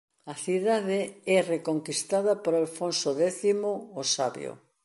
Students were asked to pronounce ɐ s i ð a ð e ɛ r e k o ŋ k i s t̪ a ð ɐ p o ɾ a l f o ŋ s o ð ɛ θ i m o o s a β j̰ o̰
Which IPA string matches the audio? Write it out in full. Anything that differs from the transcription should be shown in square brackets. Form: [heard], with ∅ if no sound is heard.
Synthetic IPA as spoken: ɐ [θ] i ð a ð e ɛ r e k o ŋ k i s t̪ a ð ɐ p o ɾ a l f o [n] s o ð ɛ θ i m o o s a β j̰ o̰